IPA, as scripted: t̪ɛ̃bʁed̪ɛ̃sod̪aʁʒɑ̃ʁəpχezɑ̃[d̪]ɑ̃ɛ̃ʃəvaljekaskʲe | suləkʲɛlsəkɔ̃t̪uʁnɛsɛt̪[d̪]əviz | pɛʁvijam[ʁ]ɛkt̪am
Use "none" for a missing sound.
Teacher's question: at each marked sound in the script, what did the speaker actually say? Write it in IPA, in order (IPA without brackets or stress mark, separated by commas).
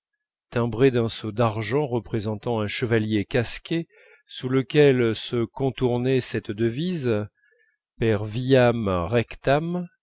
t̪, d̪, ʁ